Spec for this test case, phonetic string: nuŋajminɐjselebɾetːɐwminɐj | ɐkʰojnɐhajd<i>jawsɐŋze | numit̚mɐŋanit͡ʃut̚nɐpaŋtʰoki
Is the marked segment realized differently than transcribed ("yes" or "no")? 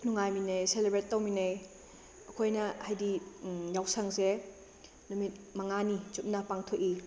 no